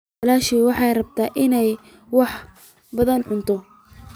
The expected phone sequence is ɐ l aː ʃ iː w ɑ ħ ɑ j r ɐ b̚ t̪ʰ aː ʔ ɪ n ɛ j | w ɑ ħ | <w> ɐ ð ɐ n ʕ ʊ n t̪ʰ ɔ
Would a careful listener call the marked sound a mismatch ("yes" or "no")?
yes